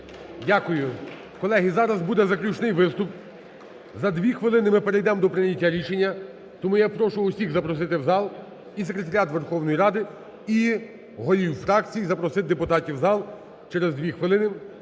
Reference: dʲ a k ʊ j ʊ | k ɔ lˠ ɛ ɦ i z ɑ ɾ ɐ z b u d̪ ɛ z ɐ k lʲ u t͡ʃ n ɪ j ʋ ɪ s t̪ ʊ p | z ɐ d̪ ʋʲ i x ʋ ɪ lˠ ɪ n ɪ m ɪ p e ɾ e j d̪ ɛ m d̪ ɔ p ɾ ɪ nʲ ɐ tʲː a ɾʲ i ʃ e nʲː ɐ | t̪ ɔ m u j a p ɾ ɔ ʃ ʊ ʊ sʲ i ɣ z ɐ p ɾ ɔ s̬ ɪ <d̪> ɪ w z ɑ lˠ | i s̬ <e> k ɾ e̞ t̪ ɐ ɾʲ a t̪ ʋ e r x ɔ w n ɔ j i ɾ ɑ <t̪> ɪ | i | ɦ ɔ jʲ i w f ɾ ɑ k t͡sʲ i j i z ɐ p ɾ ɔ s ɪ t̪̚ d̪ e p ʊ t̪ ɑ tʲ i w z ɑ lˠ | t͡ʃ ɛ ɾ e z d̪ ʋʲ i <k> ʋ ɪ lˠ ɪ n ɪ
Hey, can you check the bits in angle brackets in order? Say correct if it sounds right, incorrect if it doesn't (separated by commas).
incorrect, correct, incorrect, incorrect